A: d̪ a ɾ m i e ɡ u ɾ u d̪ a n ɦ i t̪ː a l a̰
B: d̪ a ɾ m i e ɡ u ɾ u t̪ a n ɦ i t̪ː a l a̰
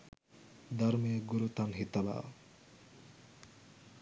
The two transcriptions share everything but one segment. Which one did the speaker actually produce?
B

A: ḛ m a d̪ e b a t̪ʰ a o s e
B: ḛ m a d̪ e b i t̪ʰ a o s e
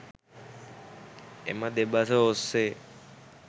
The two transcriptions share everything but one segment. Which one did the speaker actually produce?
A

